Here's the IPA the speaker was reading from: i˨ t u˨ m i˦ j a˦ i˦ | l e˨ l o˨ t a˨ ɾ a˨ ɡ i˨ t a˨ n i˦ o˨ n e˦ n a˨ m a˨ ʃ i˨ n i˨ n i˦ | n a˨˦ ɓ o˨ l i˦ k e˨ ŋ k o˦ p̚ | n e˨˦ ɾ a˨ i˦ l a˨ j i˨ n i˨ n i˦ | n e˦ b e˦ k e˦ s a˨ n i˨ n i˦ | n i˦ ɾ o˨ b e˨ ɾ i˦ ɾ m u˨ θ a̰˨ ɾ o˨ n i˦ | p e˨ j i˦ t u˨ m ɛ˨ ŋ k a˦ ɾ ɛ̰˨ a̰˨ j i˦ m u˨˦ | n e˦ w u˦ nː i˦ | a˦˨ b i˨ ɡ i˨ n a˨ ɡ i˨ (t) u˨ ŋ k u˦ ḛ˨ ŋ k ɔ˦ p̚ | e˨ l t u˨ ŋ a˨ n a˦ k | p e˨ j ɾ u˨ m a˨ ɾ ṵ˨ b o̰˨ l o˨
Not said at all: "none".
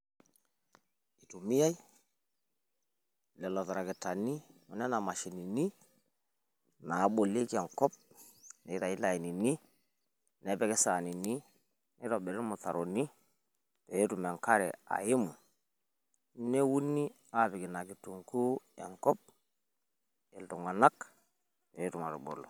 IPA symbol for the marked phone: t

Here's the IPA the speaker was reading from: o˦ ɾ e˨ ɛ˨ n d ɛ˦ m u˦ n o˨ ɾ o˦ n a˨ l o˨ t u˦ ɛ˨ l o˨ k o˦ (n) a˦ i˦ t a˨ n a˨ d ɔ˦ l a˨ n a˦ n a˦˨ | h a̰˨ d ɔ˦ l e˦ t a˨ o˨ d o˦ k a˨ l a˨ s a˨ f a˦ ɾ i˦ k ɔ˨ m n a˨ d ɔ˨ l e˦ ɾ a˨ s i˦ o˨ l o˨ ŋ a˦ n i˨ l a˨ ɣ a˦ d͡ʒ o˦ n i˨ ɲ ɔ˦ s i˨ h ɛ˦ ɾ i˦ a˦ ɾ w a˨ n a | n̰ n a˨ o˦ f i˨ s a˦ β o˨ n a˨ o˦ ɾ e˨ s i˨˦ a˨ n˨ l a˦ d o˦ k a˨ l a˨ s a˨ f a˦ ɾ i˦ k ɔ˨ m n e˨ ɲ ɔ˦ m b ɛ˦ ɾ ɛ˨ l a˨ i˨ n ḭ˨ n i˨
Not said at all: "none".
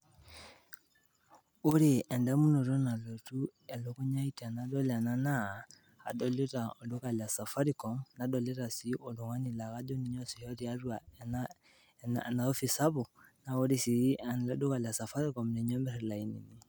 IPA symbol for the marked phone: ɲ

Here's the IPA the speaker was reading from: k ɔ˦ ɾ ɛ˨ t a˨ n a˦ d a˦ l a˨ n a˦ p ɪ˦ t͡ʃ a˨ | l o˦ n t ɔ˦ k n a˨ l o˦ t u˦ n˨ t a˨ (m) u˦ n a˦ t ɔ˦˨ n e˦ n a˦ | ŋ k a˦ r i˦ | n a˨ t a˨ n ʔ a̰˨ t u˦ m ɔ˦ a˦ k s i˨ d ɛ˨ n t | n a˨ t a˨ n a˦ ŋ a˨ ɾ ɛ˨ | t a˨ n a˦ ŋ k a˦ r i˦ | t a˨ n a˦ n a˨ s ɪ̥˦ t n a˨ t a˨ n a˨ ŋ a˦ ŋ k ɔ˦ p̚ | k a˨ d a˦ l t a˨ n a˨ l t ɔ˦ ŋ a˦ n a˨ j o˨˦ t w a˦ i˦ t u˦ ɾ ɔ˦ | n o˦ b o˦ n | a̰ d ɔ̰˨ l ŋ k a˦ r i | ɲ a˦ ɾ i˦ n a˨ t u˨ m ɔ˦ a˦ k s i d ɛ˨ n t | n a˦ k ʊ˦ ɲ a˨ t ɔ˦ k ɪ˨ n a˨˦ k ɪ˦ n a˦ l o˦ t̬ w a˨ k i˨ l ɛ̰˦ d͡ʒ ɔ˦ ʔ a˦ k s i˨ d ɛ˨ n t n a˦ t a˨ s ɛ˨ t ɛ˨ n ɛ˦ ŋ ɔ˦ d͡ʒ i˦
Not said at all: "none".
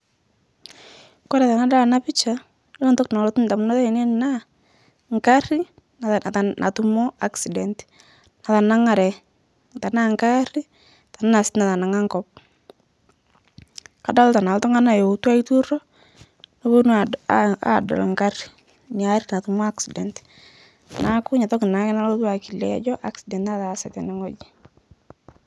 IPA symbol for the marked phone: m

